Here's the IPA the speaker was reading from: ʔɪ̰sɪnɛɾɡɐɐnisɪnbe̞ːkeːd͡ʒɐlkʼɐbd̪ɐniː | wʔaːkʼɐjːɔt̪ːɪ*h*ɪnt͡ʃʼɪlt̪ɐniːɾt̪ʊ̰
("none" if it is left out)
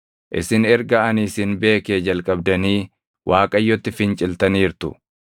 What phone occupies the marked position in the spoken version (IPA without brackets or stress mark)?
f